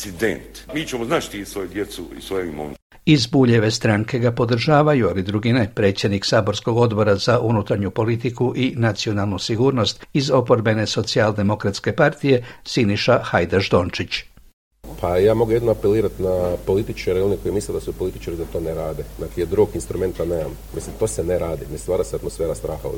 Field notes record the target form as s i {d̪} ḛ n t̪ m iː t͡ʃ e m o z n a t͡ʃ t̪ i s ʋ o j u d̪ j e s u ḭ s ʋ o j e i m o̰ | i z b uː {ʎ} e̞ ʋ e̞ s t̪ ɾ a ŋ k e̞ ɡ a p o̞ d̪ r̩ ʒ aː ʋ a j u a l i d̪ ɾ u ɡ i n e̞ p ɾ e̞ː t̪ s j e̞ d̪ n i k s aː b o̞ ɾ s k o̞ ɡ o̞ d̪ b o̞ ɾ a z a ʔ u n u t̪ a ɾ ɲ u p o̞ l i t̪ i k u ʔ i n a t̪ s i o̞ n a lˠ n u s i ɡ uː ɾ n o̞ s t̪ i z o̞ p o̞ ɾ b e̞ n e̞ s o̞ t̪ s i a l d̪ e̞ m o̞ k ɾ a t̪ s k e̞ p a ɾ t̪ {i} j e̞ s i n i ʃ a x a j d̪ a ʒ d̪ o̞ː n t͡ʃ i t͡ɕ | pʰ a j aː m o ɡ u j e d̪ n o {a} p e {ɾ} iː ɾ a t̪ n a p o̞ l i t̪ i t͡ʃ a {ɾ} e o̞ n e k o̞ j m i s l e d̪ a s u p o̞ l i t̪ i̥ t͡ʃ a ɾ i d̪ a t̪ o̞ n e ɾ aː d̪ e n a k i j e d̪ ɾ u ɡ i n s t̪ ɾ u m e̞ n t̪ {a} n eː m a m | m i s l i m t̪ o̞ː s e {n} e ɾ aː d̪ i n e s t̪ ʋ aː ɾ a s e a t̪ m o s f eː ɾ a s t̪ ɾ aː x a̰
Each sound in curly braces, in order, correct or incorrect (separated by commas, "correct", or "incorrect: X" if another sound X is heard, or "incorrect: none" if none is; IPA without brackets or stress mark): correct, correct, correct, correct, incorrect: l, correct, correct, correct